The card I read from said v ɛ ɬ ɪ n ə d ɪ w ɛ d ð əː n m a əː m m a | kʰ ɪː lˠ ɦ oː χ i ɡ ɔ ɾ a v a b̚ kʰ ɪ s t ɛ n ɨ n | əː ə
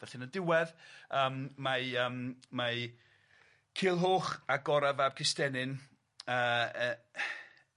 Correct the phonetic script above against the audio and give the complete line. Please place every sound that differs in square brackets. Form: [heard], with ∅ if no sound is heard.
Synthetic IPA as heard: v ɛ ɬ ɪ n ə d ɪ w ɛ [∅] ð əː [m] m a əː m m a | kʰ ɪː lˠ ɦ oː χ [a] ɡ ɔ ɾ a v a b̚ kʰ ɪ s t ɛ n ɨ n | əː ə